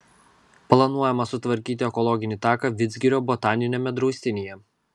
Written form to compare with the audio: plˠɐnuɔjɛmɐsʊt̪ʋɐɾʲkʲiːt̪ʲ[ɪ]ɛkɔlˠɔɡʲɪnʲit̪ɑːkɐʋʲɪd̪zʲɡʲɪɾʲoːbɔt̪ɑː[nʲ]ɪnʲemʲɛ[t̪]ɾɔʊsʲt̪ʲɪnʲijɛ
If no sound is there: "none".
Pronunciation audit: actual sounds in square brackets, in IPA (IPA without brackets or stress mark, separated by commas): ɪ, nʲ, d̪